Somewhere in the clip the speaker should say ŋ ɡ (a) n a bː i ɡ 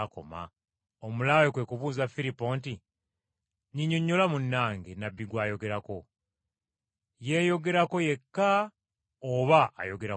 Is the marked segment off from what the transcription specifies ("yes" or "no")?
yes